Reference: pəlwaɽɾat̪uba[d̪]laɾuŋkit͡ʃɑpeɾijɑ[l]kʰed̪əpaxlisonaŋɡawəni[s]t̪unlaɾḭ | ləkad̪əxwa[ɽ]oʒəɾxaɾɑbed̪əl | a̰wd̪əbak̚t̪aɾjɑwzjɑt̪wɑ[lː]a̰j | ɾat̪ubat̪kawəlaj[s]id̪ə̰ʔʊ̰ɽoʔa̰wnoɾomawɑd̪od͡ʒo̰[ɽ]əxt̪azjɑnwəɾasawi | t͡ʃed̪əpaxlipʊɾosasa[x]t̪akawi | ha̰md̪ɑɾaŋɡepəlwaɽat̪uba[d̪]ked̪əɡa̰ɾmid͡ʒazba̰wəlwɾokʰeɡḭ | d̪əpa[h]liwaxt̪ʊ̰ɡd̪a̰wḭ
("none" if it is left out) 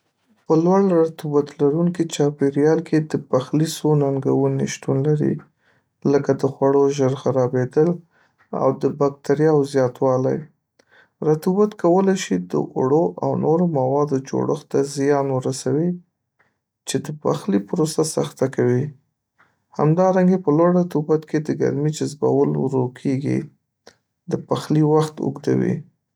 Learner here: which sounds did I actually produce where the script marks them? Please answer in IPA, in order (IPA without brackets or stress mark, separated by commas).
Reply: t̪, l, ʃ, ɽ, l, ʃ, ɽ, x, t̪, x